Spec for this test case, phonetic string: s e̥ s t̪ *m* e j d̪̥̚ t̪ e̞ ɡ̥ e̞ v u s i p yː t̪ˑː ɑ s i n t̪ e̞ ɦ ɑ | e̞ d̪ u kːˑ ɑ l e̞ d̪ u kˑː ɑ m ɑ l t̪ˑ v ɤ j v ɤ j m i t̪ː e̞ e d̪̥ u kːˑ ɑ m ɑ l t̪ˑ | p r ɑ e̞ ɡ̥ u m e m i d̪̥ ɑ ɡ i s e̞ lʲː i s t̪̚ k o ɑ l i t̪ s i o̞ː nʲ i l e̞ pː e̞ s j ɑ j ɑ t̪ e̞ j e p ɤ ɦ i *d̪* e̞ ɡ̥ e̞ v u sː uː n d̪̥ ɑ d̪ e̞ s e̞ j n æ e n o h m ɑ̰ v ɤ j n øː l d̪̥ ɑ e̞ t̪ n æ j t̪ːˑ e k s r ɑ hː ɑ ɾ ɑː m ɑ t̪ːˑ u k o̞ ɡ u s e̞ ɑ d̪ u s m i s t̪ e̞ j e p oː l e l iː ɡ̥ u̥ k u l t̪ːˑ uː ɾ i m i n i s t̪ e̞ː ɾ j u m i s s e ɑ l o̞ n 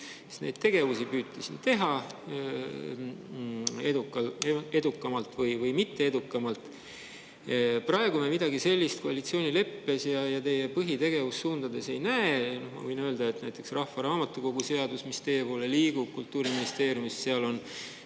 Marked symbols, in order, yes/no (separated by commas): no, no